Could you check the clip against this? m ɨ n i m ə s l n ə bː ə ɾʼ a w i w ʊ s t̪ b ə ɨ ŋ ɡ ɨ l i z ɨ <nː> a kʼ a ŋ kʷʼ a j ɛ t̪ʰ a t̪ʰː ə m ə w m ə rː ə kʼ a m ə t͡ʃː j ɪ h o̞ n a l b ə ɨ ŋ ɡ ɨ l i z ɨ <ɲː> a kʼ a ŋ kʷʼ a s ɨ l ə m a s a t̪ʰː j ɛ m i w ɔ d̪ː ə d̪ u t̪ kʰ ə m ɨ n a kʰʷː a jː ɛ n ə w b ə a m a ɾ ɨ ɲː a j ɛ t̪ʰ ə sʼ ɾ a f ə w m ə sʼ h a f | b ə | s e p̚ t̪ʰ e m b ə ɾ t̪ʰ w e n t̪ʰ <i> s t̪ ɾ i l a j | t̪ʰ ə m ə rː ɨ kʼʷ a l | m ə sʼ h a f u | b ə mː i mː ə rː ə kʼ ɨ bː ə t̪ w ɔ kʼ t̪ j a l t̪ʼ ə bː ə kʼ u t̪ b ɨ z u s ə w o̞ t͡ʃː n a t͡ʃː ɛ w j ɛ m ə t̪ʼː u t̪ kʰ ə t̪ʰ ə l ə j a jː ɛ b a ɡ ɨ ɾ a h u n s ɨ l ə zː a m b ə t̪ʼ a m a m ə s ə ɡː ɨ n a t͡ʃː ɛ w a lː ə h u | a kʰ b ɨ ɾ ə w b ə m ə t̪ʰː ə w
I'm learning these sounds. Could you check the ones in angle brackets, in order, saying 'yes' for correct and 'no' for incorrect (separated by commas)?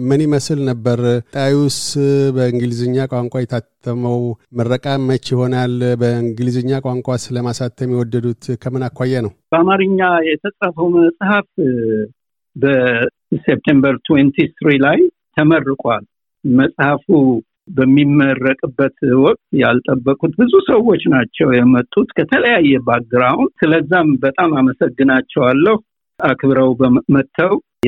no, yes, yes